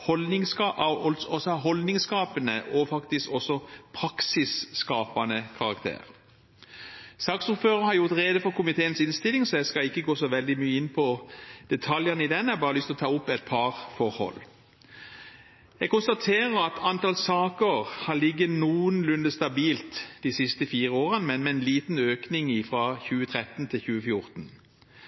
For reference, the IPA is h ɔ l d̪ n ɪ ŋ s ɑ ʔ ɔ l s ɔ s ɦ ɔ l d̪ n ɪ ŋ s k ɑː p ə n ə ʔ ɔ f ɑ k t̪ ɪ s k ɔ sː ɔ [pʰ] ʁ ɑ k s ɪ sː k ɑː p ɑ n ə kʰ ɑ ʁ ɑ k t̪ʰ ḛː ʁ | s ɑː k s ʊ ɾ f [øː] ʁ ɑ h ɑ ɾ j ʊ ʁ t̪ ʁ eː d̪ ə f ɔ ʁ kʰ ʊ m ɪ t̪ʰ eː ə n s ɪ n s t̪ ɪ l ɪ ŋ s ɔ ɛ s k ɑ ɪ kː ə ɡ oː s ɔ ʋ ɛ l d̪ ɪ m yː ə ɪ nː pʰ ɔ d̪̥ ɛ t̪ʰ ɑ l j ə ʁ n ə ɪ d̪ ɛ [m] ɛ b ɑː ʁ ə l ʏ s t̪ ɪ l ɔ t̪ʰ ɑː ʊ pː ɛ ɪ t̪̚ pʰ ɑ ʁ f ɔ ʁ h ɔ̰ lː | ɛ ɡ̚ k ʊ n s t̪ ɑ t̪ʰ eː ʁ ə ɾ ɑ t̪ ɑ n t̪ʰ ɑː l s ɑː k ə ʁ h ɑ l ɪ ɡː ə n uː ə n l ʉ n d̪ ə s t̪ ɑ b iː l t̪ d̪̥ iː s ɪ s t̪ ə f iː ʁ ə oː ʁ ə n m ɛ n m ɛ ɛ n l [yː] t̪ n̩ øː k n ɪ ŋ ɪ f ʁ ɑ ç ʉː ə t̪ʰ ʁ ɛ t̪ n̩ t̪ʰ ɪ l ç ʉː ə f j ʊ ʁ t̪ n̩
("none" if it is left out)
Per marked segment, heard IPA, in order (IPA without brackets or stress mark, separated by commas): pʰ, øː, n, iː